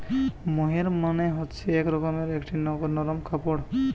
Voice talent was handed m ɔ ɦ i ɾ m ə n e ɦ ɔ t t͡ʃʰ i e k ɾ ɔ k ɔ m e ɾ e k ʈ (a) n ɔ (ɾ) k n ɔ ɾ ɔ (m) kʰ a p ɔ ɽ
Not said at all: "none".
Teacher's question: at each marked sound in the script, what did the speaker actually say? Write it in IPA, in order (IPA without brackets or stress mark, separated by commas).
i, none, m